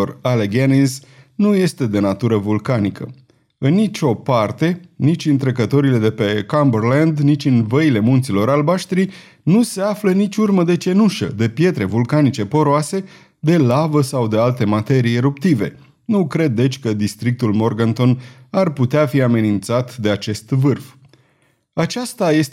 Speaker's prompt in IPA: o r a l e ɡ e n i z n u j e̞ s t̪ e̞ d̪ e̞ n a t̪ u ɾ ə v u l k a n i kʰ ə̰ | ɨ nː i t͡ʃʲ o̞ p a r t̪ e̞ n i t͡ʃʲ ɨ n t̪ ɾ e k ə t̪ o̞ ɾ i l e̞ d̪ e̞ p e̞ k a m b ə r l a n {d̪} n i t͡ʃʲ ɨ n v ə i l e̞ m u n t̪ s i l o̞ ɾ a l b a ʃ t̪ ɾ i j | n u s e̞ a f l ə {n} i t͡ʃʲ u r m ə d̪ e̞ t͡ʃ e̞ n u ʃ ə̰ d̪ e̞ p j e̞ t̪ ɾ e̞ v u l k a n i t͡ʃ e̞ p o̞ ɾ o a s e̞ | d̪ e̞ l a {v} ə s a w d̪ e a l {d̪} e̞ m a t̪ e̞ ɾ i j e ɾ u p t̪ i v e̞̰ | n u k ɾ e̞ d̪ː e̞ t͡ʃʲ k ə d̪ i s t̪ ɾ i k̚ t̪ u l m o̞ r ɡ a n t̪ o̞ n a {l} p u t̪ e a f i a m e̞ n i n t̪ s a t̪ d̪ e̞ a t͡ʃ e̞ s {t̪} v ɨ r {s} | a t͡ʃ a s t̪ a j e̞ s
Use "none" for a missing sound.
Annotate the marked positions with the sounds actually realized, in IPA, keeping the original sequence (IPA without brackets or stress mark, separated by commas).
d̪, n, v, t̪, r, t̪, f